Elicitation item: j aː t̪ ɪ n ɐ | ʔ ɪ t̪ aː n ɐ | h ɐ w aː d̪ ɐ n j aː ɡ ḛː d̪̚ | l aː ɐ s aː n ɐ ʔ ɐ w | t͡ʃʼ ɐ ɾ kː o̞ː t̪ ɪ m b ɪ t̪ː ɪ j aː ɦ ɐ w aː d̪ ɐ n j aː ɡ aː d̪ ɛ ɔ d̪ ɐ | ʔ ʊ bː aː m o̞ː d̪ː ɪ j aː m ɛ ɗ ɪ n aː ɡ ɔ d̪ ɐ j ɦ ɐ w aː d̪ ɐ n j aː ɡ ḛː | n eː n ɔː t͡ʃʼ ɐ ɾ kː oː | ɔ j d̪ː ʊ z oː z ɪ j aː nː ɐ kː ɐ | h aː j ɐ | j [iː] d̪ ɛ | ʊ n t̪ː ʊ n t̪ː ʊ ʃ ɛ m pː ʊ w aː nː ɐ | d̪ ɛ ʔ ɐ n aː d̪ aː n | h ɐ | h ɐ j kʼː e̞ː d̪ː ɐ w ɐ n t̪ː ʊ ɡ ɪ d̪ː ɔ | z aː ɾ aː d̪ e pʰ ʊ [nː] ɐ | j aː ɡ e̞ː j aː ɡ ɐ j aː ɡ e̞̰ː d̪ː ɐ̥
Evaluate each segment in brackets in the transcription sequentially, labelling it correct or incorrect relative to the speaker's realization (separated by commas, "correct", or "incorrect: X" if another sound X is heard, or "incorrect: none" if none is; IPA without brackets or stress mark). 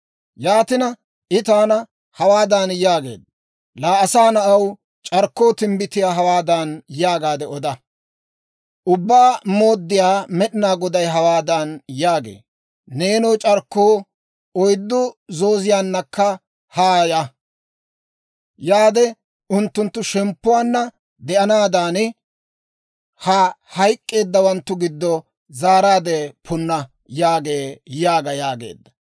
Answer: incorrect: aː, correct